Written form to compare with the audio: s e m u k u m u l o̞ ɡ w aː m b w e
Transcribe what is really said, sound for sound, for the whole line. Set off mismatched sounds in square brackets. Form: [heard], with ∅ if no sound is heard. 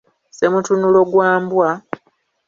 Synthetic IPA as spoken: s e m u [t] u [n] u l o̞ ɡ w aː m b w [a]